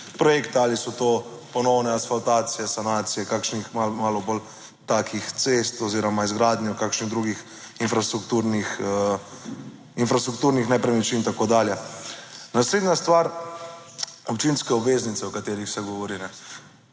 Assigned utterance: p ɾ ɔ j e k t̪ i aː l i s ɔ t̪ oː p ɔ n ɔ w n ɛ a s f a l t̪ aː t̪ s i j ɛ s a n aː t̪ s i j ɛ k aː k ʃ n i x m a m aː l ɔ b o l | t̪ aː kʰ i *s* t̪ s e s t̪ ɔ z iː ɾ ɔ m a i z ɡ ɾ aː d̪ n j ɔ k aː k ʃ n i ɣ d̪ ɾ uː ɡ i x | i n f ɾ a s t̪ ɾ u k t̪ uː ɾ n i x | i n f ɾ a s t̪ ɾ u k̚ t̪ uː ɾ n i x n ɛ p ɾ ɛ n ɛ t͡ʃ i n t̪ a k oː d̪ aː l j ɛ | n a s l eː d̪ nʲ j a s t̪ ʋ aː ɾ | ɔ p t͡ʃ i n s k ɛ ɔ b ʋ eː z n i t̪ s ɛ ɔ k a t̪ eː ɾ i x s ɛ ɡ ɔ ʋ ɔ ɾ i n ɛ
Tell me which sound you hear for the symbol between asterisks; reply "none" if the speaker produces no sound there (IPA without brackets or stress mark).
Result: x